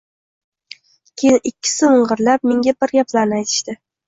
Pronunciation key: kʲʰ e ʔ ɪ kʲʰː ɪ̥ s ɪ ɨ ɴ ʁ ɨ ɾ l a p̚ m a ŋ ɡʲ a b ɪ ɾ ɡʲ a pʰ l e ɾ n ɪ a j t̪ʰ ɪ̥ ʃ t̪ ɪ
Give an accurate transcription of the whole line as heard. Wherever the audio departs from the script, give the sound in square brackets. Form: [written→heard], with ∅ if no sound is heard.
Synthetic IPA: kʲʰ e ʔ ɪ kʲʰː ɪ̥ s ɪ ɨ ɴ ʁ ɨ ɾ l a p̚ m [a→e] ŋ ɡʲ a b ɪ ɾ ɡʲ a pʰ l [e→a] ɾ n ɪ a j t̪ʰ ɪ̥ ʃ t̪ ɪ